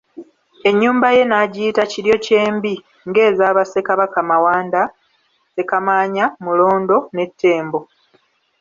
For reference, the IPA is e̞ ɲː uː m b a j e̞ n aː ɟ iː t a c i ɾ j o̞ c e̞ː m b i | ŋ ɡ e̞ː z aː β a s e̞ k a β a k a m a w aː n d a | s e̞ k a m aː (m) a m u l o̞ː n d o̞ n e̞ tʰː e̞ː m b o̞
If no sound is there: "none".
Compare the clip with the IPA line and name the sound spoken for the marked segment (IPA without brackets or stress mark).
ɲ